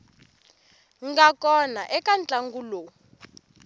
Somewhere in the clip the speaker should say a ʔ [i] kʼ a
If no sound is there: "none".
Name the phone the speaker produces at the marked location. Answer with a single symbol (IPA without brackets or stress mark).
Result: ɛ